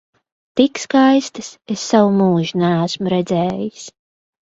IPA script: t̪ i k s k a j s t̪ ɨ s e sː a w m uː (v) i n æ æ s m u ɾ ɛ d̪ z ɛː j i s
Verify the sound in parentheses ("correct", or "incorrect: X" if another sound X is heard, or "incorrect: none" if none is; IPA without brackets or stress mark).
incorrect: ʒ